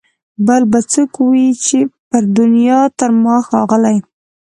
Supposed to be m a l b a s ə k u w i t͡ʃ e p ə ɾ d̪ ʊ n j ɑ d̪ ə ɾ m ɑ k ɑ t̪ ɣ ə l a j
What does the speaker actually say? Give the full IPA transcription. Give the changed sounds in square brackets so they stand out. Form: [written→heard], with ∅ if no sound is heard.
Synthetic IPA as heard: [m→b] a l b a [s→t͡s] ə k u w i t͡ʃ e p ə ɾ d̪ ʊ n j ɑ [d̪→t̪] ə ɾ m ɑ [k→x] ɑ [t̪→∅] ɣ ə l a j